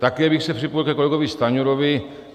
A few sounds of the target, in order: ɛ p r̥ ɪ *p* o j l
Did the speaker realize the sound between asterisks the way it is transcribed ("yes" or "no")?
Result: yes